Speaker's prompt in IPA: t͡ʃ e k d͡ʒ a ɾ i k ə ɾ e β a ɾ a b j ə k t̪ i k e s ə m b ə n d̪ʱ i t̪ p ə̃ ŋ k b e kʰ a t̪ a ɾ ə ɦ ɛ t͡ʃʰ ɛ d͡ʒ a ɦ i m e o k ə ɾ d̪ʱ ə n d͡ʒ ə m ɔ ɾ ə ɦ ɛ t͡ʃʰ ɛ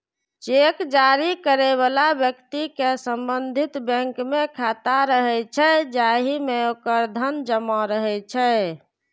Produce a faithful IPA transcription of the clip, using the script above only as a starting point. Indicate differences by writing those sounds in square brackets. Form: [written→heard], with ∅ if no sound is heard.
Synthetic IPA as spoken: t͡ʃ e k d͡ʒ a ɾ i k ə ɾ e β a [ɾ→l] a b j ə k t̪ i k e s ə m b ə n d̪ʱ i t̪ [p→b] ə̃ ŋ k [b→m] e kʰ a t̪ a ɾ ə ɦ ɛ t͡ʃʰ ɛ d͡ʒ a ɦ i m e o k ə ɾ d̪ʱ ə n d͡ʒ ə m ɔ ɾ ə ɦ ɛ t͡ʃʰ ɛ

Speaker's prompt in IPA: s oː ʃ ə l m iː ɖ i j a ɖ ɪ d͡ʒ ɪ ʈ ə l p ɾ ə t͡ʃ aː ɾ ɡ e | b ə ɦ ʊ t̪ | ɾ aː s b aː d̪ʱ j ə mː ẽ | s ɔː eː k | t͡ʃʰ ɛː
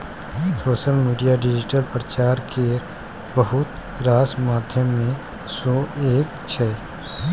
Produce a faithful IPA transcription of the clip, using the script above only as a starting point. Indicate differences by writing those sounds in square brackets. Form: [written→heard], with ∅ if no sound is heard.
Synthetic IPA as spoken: s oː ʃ ə l m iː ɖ i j a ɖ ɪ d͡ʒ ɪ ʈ ə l p ɾ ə t͡ʃ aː ɾ [ɡ→k] e | b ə ɦ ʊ t̪ | ɾ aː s [b→m] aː d̪ʱ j ə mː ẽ | s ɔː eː k | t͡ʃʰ ɛː

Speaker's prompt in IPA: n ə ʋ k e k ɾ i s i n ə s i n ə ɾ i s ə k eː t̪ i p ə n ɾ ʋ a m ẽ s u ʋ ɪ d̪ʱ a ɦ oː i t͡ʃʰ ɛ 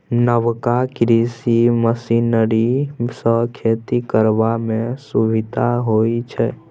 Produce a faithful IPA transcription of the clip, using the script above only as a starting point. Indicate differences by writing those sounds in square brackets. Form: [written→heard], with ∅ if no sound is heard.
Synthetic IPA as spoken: n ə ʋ k [e→a] k ɾ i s i [n→m] ə s i n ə ɾ i s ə [k→kʰ] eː t̪ i [p→k] ə [n→∅] ɾ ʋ a m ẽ s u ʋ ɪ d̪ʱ a ɦ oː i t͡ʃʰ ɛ

